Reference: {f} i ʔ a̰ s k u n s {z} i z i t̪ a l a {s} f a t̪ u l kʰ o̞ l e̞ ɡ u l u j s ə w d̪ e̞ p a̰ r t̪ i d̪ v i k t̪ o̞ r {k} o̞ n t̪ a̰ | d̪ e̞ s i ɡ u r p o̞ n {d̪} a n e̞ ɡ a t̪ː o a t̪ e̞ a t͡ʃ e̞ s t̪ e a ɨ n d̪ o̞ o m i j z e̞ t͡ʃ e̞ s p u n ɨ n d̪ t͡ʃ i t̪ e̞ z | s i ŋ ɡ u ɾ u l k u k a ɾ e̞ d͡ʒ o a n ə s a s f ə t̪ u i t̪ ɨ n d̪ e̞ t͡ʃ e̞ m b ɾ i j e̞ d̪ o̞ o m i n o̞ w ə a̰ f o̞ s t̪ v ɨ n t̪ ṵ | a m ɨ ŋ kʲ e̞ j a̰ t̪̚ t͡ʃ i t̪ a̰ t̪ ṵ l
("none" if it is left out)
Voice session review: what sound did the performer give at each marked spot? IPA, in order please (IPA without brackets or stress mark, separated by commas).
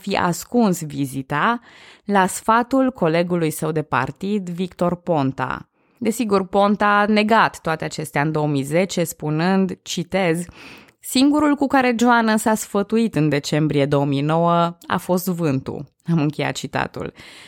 f, v, s, p, t̪